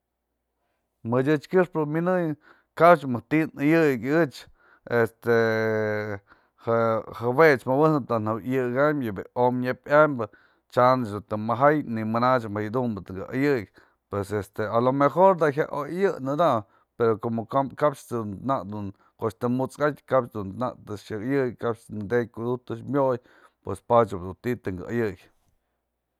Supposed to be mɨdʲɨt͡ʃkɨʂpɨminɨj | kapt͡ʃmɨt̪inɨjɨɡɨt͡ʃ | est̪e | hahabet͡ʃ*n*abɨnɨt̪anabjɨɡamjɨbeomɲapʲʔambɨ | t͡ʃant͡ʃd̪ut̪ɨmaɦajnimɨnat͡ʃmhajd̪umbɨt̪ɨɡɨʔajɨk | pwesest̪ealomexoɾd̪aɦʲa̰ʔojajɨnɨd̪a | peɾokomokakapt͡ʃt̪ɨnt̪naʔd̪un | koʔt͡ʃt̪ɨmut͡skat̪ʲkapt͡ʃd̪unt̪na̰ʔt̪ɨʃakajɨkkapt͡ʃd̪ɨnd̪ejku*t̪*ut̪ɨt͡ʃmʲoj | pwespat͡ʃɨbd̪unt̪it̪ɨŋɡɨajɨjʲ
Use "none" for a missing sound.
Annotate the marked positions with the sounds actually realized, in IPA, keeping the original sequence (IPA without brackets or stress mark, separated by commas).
m, d̪